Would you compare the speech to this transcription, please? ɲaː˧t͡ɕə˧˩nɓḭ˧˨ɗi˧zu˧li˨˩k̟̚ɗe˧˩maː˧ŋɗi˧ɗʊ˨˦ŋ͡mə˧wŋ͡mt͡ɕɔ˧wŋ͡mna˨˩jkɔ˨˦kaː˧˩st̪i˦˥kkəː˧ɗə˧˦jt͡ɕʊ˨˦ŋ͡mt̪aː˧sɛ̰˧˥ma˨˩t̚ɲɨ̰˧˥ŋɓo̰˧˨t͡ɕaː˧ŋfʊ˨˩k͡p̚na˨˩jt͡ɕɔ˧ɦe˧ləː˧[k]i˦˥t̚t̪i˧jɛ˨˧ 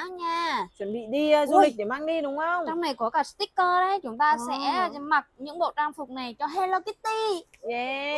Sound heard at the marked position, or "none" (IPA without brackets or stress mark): k